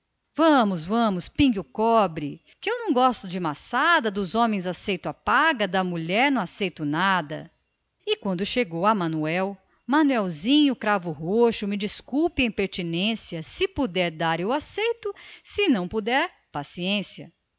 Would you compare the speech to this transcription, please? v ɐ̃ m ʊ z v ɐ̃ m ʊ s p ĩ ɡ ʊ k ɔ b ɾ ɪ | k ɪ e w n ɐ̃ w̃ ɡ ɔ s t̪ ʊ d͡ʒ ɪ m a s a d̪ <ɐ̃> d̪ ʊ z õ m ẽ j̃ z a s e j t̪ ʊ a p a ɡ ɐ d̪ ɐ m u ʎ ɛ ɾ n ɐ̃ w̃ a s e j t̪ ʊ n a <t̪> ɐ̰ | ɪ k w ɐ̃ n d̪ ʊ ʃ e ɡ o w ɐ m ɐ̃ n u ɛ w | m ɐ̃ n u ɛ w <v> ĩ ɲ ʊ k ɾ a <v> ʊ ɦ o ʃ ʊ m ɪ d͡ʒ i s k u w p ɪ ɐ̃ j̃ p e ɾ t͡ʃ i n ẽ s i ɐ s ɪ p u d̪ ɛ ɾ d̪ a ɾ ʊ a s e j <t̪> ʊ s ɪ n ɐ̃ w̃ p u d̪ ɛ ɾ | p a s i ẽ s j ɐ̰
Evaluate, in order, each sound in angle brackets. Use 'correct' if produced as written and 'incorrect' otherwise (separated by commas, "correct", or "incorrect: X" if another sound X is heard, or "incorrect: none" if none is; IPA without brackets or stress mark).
incorrect: ɐ, incorrect: d̪, incorrect: z, correct, correct